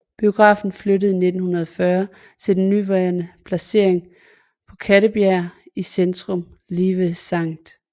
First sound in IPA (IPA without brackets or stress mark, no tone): b̥